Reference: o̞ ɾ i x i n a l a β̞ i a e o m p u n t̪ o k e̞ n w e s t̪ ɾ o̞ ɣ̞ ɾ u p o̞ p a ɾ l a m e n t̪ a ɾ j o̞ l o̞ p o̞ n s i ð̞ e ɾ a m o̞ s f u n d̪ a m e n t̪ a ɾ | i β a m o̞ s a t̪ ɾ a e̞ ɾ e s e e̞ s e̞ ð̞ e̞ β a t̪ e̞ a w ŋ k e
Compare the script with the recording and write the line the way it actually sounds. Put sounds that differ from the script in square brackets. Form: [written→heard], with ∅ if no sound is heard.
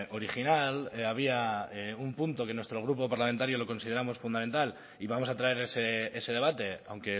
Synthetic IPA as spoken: o̞ ɾ i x i n a l a β̞ i a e [o→u] m p u n t̪ o k e̞ n w e s t̪ ɾ o̞ ɣ̞ ɾ u p o̞ p a ɾ l a m e n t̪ a ɾ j o̞ l o̞ [p→k] o̞ n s i ð̞ e ɾ a m o̞ s f u n d̪ a m e n t̪ a [ɾ→l] | i β a m o̞ s a t̪ ɾ a e̞ ɾ e s e e̞ s e̞ ð̞ e̞ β a t̪ e̞ a w ŋ k e

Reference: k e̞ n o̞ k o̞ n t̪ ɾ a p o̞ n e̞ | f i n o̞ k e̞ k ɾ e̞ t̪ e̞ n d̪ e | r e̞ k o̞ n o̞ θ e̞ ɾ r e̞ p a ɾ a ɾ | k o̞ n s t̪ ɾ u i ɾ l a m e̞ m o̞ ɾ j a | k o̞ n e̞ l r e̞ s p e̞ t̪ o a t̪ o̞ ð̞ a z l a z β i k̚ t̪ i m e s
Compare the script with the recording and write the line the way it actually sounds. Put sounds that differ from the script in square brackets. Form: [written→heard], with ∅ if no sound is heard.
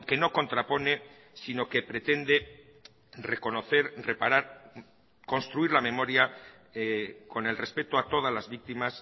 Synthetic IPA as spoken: k e̞ n o̞ k o̞ n t̪ ɾ a p o̞ n e̞ | [f→s] i n o̞ k e̞ [k→p] ɾ e̞ t̪ e̞ n d̪ e | r e̞ k o̞ n o̞ θ e̞ ɾ r e̞ p a ɾ a ɾ | k o̞ n s t̪ ɾ u i ɾ l a m e̞ m o̞ ɾ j a | k o̞ n e̞ l r e̞ s p e̞ t̪ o a t̪ o̞ ð̞ a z l a z β i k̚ t̪ i m [e→a] s

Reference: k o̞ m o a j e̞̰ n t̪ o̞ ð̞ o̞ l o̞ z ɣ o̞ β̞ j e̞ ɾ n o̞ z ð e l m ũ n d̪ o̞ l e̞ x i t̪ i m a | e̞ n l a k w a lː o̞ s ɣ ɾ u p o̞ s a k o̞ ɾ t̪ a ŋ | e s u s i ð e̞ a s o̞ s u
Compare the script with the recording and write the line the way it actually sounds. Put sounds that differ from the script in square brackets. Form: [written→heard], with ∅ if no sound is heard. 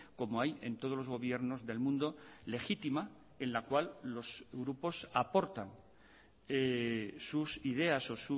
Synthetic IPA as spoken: k o̞ m o a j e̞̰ n t̪ o̞ ð̞ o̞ l o̞ z ɣ o̞ β̞ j e̞ ɾ n o̞ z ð e l m ũ n d̪ o̞ l e̞ x i t̪ i m a | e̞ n l a k w a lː o̞ s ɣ ɾ u p o̞ s a [k→p] o̞ ɾ t̪ a ŋ | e s u s i ð e̞ a s o̞ s u

